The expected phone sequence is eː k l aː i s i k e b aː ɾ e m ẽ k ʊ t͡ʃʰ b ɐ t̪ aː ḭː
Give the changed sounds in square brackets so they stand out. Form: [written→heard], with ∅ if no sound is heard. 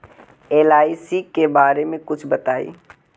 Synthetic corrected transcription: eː [k→∅] l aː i s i k e b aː ɾ e m ẽ k ʊ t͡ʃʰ b ɐ t̪ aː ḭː

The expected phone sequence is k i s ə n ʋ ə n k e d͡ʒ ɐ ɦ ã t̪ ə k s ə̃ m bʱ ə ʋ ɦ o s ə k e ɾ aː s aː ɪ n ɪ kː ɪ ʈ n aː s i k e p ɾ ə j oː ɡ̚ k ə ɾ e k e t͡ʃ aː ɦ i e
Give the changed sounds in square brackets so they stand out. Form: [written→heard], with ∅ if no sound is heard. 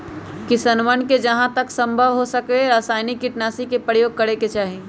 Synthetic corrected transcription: k i s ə n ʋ ə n k e d͡ʒ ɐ ɦ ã t̪ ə k s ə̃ m bʱ ə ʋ ɦ o s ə k e ɾ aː s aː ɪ n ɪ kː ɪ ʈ n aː s i k e p ɾ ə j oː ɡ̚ k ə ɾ e k e t͡ʃ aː ɦ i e

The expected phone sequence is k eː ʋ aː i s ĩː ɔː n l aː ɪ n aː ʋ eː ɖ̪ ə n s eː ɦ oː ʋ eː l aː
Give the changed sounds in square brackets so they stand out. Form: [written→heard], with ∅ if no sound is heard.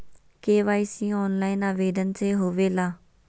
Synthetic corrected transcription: k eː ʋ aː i s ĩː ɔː n l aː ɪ n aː ʋ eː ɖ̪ ə n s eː ɦ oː ʋ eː l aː

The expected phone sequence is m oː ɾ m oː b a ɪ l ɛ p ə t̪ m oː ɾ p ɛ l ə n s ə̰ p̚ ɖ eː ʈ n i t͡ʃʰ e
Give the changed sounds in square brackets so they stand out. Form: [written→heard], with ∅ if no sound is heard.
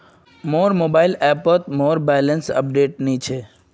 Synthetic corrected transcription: m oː ɾ m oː b a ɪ l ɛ p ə t̪ m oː ɾ [p→b] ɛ l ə n s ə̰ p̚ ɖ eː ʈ n i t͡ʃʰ e

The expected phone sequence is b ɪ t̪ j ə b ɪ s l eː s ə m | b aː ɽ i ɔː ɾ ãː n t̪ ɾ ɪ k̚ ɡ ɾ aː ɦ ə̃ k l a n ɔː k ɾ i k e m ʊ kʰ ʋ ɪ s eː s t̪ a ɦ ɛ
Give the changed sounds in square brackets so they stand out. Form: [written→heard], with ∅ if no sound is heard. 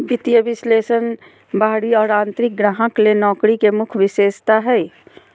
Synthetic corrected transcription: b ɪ t̪ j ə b ɪ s l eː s ə [m→n] | b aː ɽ i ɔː ɾ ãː n t̪ ɾ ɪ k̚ ɡ ɾ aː ɦ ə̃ k l [a→e] n ɔː k ɾ i k e m ʊ kʰ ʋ ɪ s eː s t̪ a ɦ ɛ

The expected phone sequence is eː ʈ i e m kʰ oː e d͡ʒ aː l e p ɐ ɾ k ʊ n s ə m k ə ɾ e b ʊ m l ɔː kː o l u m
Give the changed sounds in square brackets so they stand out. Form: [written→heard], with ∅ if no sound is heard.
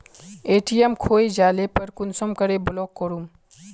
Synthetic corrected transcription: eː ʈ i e m kʰ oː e d͡ʒ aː l e p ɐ ɾ k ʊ n s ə m k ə ɾ e b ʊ [m→∅] l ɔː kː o [l→ɾ] u m

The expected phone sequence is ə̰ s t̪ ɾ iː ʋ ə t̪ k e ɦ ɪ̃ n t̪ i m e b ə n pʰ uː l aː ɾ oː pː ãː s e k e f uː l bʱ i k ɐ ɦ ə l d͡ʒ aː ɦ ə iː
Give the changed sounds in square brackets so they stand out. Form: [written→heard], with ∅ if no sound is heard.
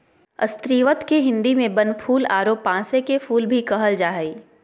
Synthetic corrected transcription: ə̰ s t̪ ɾ iː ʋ ə t̪ k e ɦ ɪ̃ n [t̪→d̪] i m [e→ẽ] b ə n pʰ uː l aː ɾ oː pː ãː s e k e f uː l bʱ i k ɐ ɦ ə l d͡ʒ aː ɦ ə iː

